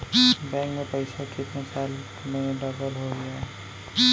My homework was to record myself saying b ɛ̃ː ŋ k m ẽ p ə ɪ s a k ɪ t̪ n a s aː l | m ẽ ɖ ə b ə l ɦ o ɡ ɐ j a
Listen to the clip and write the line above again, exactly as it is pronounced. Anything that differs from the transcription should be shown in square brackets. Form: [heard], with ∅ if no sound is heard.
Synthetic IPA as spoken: b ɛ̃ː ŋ k m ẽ p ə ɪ s a k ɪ t̪ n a s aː l | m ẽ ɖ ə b ə l ɦ o ɡ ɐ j a